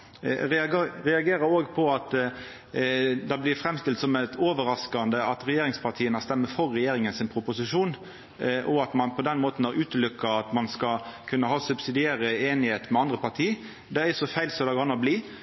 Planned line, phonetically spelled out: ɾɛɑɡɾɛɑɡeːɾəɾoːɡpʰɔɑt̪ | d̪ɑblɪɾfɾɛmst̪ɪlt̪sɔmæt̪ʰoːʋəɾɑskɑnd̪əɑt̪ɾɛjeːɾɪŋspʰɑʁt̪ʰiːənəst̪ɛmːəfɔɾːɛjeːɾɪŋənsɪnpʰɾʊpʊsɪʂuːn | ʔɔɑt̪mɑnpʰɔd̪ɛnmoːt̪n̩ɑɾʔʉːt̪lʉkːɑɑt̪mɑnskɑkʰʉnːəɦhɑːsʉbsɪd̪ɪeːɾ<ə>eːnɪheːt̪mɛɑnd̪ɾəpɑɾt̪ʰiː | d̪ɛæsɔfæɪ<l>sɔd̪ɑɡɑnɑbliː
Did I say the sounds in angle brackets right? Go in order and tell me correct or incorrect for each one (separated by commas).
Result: correct, correct